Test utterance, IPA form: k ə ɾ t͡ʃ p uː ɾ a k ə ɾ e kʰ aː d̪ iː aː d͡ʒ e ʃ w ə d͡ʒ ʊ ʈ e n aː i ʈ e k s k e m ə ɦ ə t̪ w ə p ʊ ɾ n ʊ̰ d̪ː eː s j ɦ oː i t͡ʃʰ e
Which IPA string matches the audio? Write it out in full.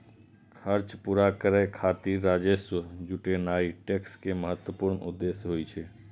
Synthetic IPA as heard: kʰ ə ɾ t͡ʃ p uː ɾ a k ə ɾ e kʰ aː t̪ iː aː d͡ʒ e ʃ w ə d͡ʒ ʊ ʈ e n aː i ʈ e k s k e m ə ɦ ə t̪ w ə p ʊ ɾ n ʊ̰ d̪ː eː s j ɦ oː i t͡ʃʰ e